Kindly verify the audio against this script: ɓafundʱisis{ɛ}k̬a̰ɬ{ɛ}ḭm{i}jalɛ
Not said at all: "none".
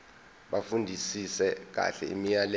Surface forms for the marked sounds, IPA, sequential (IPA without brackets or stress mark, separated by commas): ɛ, ɛ, i